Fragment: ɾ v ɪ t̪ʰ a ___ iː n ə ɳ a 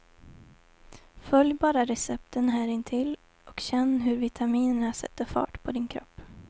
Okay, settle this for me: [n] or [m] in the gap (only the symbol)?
m